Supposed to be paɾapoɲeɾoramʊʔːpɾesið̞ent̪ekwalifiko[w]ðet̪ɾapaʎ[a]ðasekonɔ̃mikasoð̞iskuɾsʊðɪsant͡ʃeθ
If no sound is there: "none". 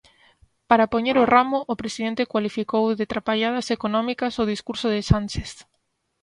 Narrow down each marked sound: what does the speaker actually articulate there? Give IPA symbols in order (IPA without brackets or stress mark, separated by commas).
w, a